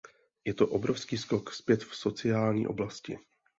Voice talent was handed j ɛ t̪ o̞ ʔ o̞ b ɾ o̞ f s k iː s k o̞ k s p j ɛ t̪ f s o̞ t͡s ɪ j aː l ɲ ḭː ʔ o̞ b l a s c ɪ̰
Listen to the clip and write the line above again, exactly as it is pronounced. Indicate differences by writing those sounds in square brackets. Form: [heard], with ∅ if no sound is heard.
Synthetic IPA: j ɛ t̪ o̞ ʔ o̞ b ɾ o̞ f s k iː s k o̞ k s p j ɛ t̪ f s o̞ t͡s ɪ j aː l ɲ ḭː ʔ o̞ b l a s c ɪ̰